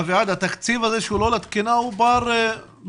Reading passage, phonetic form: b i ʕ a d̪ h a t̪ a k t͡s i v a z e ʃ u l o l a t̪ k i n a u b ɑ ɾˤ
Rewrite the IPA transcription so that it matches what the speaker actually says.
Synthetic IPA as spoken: v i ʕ a d̪ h a t̪ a k t͡s i v a z e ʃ u l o l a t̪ k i n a u b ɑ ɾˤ